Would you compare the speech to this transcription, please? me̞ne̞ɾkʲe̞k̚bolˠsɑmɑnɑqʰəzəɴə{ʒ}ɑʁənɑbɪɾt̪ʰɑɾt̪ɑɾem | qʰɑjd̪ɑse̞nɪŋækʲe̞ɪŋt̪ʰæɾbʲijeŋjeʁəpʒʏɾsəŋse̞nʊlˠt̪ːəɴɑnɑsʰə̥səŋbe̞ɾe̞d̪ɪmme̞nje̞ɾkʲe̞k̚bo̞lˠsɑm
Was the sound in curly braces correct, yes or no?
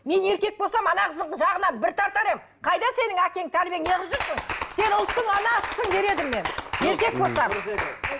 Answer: yes